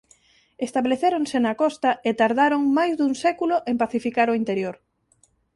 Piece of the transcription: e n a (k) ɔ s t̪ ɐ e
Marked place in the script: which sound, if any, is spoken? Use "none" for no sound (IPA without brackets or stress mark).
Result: k